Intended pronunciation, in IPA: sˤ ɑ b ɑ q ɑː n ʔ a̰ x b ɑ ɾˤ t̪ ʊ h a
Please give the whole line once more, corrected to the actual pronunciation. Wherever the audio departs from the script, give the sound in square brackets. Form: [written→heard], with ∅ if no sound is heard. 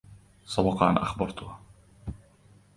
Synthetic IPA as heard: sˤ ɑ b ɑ q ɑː n ʔ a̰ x b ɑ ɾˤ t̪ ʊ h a